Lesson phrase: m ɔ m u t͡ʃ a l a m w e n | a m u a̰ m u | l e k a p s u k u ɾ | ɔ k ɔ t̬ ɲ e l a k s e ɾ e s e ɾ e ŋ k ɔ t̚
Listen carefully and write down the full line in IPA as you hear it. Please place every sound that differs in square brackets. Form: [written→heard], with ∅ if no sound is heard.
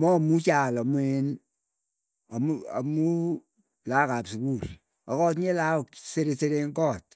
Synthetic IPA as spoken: m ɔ m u t͡ʃ a l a m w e n | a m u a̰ m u | l [e→a] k a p s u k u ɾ | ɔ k ɔ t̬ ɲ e l a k s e ɾ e s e ɾ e ŋ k ɔ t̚